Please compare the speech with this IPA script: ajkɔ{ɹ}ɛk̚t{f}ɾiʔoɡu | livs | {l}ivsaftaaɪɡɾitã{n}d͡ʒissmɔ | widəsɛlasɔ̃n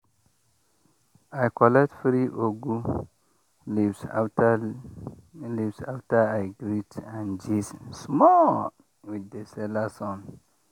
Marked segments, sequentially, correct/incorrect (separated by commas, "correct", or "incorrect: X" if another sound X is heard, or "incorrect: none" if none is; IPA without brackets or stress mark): incorrect: l, correct, correct, correct